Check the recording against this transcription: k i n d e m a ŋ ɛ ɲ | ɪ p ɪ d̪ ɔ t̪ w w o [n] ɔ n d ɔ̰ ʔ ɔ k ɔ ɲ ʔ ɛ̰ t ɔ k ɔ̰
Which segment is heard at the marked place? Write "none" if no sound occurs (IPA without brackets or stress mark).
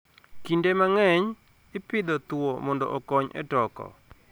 m